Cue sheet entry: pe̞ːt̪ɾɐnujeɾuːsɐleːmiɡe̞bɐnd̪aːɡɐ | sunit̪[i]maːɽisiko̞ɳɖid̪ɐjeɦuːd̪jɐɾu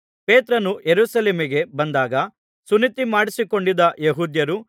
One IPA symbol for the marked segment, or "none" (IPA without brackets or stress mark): i